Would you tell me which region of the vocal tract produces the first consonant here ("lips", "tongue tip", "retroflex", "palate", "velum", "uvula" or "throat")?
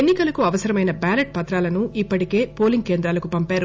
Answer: tongue tip